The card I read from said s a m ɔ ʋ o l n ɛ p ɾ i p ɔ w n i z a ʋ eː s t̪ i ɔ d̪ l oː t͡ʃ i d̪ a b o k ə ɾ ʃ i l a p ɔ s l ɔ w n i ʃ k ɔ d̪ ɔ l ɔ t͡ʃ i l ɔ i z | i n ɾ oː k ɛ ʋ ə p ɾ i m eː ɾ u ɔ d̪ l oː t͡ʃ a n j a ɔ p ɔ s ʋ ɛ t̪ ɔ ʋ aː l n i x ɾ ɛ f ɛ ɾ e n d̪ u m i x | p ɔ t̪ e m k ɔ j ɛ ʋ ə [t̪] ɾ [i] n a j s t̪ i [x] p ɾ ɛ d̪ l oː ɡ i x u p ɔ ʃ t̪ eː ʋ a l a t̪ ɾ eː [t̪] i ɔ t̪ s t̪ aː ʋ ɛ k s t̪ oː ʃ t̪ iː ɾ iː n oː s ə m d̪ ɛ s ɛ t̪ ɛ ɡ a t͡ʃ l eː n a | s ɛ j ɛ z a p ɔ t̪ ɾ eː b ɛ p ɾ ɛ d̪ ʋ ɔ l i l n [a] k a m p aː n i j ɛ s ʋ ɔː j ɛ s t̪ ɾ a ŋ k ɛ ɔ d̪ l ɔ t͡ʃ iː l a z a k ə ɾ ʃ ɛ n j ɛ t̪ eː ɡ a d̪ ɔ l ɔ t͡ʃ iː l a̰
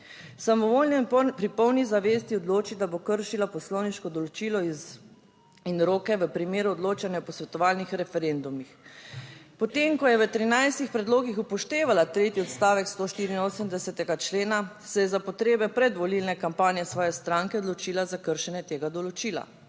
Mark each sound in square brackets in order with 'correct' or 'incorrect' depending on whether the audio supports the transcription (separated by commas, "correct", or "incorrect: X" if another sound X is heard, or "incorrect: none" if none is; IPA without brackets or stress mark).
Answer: correct, correct, correct, correct, incorrect: ɛ